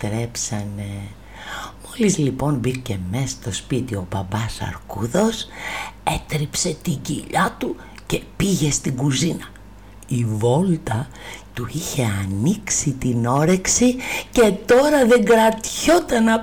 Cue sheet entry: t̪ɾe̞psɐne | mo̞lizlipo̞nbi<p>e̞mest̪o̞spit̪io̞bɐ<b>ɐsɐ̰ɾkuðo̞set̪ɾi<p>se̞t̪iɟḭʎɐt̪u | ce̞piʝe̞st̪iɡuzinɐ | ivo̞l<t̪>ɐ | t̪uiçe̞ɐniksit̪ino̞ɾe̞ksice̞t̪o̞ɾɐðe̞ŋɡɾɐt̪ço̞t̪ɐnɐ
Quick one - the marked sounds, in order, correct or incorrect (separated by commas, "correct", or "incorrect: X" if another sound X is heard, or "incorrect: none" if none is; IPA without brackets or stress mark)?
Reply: incorrect: c, correct, correct, correct